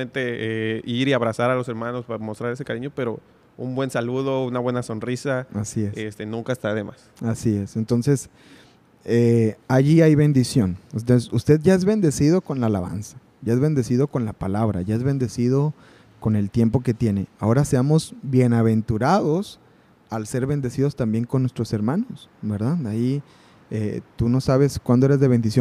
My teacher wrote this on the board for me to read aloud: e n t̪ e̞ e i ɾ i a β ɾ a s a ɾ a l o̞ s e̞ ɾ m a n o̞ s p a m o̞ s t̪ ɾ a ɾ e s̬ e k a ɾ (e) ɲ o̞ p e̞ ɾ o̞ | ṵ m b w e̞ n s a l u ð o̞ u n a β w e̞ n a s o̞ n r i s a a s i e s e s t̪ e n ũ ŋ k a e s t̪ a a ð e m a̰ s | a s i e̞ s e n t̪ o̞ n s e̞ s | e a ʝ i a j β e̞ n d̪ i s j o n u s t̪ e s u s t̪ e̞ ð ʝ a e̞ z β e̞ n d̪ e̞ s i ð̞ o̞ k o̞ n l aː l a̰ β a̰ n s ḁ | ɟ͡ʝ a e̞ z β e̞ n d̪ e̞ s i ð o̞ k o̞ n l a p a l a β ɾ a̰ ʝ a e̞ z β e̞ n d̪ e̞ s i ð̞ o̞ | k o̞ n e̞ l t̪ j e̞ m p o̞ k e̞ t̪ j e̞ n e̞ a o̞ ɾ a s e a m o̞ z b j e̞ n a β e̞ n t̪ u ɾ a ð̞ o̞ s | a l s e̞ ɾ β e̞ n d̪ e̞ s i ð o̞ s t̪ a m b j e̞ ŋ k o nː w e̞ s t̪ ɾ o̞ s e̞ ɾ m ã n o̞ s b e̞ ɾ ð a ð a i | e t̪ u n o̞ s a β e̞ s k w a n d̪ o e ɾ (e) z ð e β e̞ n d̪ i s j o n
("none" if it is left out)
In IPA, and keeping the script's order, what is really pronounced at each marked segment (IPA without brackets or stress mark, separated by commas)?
i, e